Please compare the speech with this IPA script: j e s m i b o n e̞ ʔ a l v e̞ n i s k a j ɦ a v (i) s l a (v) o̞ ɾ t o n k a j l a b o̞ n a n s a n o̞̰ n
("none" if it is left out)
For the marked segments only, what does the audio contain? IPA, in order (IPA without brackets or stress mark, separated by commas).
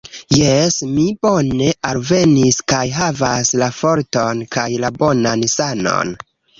a, f